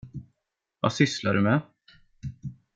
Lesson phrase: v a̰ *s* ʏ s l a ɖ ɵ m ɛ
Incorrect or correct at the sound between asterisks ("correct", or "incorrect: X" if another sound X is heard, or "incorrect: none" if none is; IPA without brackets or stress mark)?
correct